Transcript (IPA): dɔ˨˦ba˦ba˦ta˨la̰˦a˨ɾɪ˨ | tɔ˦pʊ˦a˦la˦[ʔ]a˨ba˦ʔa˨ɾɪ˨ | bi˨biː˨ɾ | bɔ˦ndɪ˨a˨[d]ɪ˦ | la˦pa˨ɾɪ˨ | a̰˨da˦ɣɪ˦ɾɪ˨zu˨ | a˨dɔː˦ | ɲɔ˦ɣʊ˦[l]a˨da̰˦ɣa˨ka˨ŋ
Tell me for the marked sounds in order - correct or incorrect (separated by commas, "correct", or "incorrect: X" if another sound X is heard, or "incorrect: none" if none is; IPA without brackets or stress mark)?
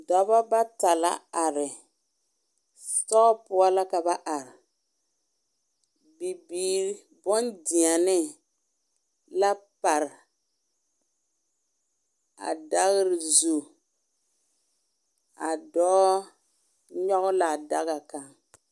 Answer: incorrect: k, incorrect: n, correct